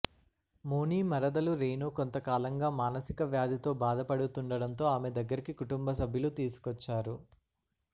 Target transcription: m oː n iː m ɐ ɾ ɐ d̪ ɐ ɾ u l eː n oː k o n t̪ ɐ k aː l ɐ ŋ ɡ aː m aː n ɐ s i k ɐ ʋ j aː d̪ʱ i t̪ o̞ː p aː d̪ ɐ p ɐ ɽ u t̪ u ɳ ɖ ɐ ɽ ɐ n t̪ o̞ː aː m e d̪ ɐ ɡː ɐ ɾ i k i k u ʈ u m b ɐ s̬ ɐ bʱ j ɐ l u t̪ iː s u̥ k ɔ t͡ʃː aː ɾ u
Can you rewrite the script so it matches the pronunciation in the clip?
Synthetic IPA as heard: m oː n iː m ɐ ɾ ɐ d̪ ɐ l u ɾ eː n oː k o n t̪ ɐ k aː l ɐ ŋ ɡ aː m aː n ɐ s i k ɐ ʋ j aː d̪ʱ i t̪ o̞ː b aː d̪ ɐ p ɐ ɽ u t̪ u ɳ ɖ ɐ ɽ ɐ n t̪ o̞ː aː m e d̪ ɐ ɡː ɐ ɾ i k i k u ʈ u m b ɐ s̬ ɐ bʱ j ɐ l u t̪ iː s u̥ k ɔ t͡ʃː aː ɾ u